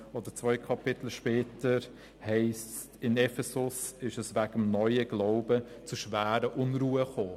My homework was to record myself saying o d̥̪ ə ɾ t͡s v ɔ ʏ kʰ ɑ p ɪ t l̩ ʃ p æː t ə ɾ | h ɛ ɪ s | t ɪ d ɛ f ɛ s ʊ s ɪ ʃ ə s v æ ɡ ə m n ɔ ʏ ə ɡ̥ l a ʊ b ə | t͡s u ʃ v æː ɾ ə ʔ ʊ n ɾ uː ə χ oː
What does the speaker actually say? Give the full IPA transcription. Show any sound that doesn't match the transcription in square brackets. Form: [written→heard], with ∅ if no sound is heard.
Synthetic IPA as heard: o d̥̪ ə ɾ t͡s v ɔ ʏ kʰ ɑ p ɪ t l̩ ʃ p [æː→ɛː] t ə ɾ | h ɛ ɪ s | t ɪ [d→n] ɛ f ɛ s ʊ s ɪ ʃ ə s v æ ɡ ə m n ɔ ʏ ə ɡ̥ l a ʊ b ə | t͡s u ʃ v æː ɾ ə ʔ ʊ n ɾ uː ə χ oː